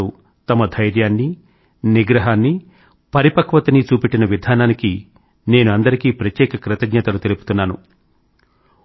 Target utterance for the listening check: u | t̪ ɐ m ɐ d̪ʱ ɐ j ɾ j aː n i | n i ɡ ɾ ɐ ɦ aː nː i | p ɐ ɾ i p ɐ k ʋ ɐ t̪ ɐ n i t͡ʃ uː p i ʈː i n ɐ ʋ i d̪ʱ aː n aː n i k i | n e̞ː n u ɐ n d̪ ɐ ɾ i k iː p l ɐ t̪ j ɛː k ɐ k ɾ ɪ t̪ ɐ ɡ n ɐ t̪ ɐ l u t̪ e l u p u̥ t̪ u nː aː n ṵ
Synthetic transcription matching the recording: u | t̪ ɐ m ɐ d̪ʱ ɐ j ɾ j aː nː i | n i ɡ ɾ ɐ ɦ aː nː i | p ɐ ɾ i p ɐ k ʋ ɐ t̪ ɐ n i t͡ʃ uː p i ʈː i n ɐ ʋ i d̪ʱ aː n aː n i k i | n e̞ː n u ɐ n d̪ ɐ ɾ i k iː p ɾ ɐ t̪ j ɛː k ɐ k ɾ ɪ t̪ ɐ ɡ ɲ ɐ t̪ ɐ l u t̪ e l u p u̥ t̪ u nː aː n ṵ